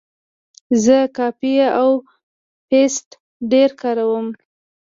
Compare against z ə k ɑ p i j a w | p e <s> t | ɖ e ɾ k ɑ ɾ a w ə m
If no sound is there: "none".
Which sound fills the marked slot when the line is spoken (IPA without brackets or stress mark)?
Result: s